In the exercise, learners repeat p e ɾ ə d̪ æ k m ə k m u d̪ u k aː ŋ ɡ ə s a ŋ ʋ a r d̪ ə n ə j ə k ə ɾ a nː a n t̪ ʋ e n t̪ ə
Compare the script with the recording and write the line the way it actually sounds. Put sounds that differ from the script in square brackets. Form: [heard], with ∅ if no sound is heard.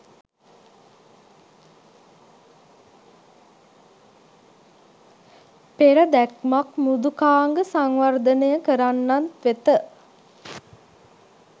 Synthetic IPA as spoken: p e ɾ ə d̪ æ k m [a] k m u d̪ u k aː ŋ ɡ ə s a ŋ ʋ a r d̪ ə n ə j ə k ə ɾ a nː a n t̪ ʋ e [∅] t̪ ə